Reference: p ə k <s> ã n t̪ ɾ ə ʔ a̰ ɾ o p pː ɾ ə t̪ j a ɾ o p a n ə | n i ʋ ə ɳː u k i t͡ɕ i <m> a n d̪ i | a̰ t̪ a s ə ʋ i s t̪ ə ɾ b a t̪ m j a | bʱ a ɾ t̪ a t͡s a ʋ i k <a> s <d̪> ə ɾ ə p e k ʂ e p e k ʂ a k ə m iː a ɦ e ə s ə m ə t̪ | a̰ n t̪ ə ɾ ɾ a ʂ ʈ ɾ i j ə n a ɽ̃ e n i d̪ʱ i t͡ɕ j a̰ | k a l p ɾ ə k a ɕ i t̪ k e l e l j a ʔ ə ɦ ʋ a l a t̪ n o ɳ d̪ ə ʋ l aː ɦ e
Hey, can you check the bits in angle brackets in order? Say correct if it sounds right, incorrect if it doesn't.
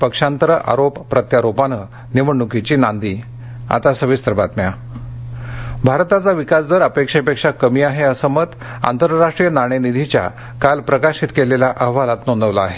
incorrect: ʂ, incorrect: n, correct, correct

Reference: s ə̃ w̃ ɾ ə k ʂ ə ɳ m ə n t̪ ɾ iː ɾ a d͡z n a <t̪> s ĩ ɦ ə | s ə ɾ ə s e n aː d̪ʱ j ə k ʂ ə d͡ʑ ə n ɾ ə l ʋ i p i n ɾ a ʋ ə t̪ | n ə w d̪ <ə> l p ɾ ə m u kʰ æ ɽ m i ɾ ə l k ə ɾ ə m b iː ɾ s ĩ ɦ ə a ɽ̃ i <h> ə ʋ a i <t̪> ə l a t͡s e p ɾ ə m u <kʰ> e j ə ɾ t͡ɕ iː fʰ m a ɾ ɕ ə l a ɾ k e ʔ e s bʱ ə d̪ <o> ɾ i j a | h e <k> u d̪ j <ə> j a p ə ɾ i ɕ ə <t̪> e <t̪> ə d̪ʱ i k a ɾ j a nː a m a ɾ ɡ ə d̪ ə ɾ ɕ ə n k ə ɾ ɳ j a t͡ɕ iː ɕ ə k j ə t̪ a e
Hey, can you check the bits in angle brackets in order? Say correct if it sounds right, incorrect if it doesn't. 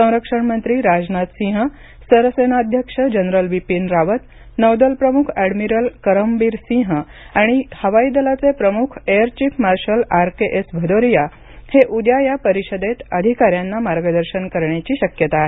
correct, correct, correct, incorrect: d̪, correct, correct, incorrect: ʔ, incorrect: a, incorrect: d̪, correct

